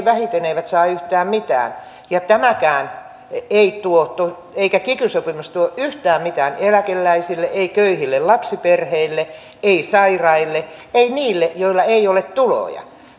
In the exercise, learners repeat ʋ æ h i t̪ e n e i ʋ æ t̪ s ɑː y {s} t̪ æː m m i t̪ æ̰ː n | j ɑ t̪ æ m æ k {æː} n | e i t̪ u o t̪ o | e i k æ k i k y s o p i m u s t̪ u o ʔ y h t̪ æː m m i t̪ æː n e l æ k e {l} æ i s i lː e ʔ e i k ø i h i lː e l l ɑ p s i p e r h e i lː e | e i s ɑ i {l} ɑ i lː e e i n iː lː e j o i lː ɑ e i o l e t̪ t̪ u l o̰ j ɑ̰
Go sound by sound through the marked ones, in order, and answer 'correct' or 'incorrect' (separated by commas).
incorrect, correct, incorrect, incorrect